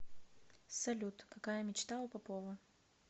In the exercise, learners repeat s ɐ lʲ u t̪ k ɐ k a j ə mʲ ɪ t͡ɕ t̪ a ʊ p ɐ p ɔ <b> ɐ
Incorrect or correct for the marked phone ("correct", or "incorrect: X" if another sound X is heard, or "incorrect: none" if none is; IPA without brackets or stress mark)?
incorrect: v